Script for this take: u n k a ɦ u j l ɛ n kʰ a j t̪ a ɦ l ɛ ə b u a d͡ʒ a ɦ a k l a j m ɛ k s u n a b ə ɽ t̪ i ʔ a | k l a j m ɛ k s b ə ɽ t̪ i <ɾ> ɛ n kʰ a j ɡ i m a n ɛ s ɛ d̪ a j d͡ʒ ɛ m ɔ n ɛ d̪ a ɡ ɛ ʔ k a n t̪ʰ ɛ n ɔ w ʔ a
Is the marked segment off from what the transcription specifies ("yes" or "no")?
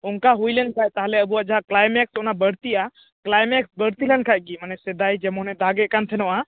yes